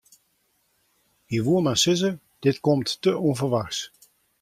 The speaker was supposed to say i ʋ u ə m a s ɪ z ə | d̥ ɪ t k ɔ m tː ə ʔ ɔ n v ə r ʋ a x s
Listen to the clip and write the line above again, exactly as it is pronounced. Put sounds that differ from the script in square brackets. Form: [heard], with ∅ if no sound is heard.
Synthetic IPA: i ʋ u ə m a s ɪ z ə | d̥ ɪ t k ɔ m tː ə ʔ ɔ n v ə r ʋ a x s